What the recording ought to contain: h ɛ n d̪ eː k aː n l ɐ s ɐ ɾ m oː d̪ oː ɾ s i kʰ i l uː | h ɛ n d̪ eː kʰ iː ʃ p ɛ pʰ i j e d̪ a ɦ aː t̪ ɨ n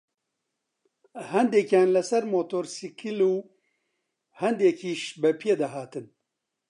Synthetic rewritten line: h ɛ n d̪ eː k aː n l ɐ s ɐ ɾ m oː t̪ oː ɾ s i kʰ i l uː | h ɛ n d̪ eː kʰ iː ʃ b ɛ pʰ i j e d̪ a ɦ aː t̪ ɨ n

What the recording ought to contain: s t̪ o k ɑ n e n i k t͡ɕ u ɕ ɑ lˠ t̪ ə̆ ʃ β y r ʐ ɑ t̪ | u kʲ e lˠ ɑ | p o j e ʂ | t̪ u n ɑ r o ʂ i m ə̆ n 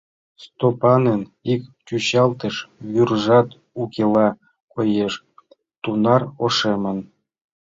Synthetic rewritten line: s t̪ o p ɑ n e n i k t͡ɕ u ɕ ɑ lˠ t̪ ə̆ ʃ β y r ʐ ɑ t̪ | u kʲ e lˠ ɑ | k o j e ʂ | t̪ u n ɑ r o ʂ e m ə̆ n

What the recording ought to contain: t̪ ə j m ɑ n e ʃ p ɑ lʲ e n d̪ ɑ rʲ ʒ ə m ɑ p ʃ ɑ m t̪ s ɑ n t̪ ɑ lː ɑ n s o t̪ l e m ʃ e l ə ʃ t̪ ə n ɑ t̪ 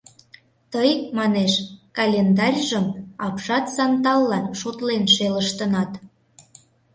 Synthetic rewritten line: t̪ ə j m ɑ n e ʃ k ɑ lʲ e n d̪ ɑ rʲ ʒ ə m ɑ p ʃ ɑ t̪ s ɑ n t̪ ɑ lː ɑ n ʃ o t̪ l e n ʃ e l ə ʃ t̪ ə n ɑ t̪

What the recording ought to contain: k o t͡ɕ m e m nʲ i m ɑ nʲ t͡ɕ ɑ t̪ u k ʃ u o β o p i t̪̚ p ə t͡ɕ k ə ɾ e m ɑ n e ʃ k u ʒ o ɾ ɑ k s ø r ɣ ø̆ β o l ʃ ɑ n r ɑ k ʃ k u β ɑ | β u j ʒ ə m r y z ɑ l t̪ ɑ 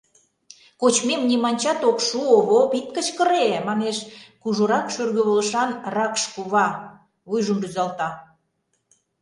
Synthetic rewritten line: k o t͡ɕ m e m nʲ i m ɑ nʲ t͡ɕ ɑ t̪ o k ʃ u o β o p i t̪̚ k ə t͡ɕ k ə ɾ e m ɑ n e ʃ k u ʒ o ɾ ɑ k ʃ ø r ɣ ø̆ β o l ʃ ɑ n r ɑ k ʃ k u β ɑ | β u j ʒ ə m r y z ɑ l t̪ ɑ

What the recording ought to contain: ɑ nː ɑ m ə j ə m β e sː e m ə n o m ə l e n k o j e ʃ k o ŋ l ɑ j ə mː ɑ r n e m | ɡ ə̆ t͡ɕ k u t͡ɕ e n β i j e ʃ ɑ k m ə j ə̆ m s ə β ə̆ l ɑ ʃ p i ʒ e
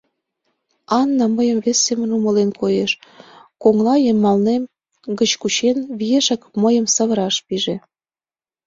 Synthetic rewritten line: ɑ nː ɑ m ə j ə m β e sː e m ə n u m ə l e n k o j e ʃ k o ŋ l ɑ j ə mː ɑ l n e m | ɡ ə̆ t͡ɕ k u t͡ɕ e n β i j e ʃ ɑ k m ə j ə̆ m s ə β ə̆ ɾ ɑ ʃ p i ʒ e

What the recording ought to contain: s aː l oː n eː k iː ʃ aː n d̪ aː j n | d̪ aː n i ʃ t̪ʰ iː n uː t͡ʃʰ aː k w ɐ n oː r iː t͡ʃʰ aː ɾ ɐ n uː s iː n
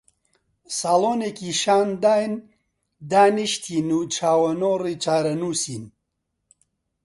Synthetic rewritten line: s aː l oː n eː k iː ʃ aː n d̪ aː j n | d̪ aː n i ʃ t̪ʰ iː n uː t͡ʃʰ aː w ɐ n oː r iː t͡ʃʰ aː ɾ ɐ n uː s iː n

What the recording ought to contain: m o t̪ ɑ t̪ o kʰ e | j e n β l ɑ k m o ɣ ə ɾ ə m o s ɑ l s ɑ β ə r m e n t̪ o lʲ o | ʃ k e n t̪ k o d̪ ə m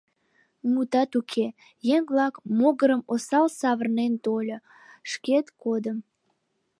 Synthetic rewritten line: m u t̪ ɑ t̪ u kʰ e | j e ŋ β l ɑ k m o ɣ ə ɾ ə m o s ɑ l s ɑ β ə r n e n t̪ o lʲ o | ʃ k e t̪ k o d̪ ə m

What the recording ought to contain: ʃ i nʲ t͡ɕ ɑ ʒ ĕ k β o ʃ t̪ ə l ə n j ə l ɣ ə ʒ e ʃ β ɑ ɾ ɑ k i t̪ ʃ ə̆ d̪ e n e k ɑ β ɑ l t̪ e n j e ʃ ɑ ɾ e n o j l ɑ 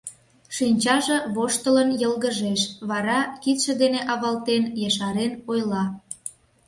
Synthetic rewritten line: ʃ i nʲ t͡ɕ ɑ ʒ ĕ β o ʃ t̪ ə l ə n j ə l ɣ ə ʒ e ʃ β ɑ ɾ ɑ k i t̪ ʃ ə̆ d̪ e n e ʔ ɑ β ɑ l t̪ e n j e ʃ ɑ ɾ e n o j l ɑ

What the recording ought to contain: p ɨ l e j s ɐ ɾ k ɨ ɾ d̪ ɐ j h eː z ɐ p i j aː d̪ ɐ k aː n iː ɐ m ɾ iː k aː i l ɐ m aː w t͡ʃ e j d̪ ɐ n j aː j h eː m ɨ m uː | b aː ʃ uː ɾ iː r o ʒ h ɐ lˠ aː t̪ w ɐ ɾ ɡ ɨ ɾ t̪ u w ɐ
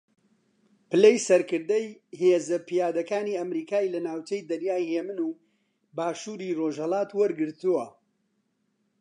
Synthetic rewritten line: p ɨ l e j s ɐ ɾ k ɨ ɾ d̪ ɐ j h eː z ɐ p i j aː d̪ ɐ k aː n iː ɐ m ɾ iː k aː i l ɐ n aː w t͡ʃ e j d̪ ɐ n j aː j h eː m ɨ n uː | b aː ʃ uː ɾ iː r o ʒ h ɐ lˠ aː t̪ w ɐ ɾ ɡ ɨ ɾ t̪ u w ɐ

